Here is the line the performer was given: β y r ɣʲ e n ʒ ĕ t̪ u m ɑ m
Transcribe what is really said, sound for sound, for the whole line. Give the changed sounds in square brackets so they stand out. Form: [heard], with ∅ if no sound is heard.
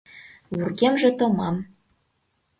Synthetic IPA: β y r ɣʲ e [m] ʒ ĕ t̪ [o] m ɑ m